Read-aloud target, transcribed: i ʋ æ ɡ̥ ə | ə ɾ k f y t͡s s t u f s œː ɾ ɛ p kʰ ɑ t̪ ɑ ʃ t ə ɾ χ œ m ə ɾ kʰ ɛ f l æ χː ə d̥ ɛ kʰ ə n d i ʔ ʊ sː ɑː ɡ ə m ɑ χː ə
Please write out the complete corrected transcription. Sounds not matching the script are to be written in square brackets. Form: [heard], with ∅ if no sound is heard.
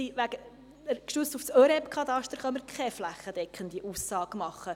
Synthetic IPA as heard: i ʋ æ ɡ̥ ə | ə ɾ k [ʃ] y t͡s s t u f s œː ɾ ɛ p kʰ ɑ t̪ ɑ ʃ t ə ɾ χ œ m ə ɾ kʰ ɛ f l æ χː ə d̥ ɛ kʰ ə n d i ʔ [u] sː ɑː ɡ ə m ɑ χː ə